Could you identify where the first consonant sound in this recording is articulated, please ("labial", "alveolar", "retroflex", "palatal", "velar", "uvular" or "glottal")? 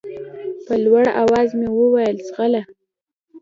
labial